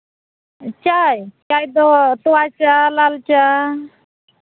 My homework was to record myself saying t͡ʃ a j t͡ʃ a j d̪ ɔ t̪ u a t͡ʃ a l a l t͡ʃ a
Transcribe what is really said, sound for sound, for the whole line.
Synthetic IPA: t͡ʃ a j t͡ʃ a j d̪ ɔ t̪ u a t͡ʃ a l a l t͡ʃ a